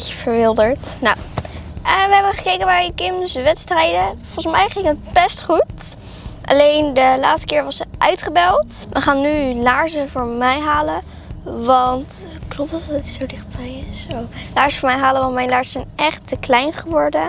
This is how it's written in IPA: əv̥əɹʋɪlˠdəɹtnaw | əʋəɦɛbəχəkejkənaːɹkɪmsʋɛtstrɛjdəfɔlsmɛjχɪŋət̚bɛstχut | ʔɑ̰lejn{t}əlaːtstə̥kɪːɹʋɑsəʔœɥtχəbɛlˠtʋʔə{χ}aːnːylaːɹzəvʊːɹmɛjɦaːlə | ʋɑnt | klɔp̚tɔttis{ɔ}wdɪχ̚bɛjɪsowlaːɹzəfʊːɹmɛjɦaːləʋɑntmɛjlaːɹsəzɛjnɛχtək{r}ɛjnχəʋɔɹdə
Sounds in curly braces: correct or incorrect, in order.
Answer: incorrect: d, correct, incorrect: o, incorrect: l

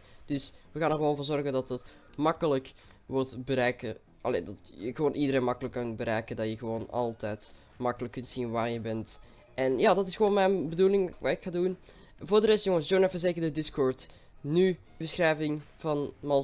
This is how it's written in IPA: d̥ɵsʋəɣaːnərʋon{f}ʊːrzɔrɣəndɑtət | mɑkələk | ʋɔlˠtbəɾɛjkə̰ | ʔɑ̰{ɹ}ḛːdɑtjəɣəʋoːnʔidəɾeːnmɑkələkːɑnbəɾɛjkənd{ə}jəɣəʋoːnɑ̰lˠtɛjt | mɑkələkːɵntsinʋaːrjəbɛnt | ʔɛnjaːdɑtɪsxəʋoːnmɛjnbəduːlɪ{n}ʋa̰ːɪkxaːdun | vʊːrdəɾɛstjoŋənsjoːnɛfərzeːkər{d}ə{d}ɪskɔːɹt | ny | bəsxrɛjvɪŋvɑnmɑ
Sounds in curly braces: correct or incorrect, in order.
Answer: incorrect: v, incorrect: l, incorrect: ɑ, incorrect: ŋ, correct, correct

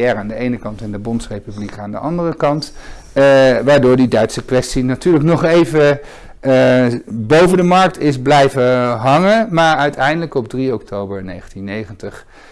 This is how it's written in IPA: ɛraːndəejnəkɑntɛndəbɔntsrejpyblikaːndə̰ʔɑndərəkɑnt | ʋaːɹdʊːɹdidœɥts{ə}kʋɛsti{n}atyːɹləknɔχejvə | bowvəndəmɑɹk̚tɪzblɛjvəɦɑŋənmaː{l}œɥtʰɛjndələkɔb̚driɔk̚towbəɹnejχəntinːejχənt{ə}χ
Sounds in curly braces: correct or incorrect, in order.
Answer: correct, correct, incorrect: ɹ, correct

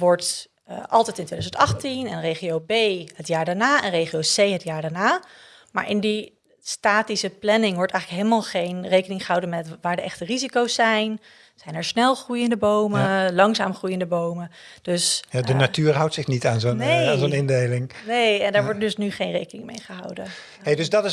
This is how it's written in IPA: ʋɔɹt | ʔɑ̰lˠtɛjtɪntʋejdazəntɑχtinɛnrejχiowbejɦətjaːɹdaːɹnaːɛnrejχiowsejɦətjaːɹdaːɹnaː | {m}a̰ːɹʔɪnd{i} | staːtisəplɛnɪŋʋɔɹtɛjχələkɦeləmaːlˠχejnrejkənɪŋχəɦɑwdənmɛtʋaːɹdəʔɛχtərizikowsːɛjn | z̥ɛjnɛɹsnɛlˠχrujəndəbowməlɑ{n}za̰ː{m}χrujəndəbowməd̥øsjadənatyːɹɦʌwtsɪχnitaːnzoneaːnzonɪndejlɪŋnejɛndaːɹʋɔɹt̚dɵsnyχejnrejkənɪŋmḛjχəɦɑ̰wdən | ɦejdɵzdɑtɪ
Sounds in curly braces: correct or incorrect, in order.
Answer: correct, correct, incorrect: ŋ, correct

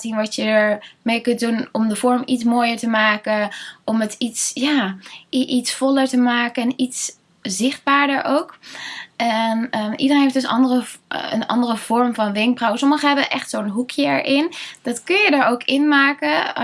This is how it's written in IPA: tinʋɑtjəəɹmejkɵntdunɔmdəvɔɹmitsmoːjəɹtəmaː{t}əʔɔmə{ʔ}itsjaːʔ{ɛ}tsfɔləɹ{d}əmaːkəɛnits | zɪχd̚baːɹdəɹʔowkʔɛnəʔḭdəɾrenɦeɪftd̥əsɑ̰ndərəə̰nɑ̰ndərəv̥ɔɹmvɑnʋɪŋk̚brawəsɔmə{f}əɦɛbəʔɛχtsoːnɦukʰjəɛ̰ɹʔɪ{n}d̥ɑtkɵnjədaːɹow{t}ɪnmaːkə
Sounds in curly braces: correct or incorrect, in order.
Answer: incorrect: k, incorrect: t, incorrect: i, incorrect: t, incorrect: χ, correct, incorrect: k

